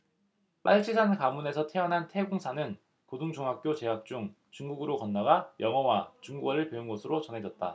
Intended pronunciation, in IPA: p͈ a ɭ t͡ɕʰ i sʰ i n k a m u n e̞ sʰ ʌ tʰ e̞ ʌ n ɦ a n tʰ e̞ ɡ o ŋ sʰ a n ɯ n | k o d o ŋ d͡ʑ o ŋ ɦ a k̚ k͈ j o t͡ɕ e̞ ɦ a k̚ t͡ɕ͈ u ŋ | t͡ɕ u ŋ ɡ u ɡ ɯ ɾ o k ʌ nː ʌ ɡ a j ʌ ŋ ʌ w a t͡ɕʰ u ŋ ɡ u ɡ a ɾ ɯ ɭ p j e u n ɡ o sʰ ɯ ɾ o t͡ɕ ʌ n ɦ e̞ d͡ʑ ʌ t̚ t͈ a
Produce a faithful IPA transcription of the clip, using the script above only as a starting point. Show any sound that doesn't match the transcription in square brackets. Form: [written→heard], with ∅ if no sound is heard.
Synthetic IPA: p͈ a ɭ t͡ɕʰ i sʰ [i→a] n k a m u n e̞ sʰ ʌ tʰ e̞ ʌ n ɦ a n tʰ e̞ ɡ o ŋ sʰ a n ɯ n | k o d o ŋ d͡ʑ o ŋ ɦ a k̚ k͈ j o t͡ɕ e̞ ɦ a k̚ t͡ɕ͈ u ŋ | t͡ɕ u ŋ ɡ u ɡ ɯ ɾ o k ʌ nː [ʌ→a] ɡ a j ʌ ŋ ʌ w a [t͡ɕʰ→t͡ɕ] u ŋ ɡ u ɡ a ɾ ɯ ɭ p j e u n ɡ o sʰ ɯ ɾ o t͡ɕ ʌ n ɦ e̞ d͡ʑ ʌ t̚ t͈ a